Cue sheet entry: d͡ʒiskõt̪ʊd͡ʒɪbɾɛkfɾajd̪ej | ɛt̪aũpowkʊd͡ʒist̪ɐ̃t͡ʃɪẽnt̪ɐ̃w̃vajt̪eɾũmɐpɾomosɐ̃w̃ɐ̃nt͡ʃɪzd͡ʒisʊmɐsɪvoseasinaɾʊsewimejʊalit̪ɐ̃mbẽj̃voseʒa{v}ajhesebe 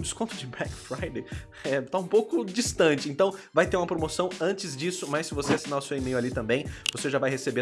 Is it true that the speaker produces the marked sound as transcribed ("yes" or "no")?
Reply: yes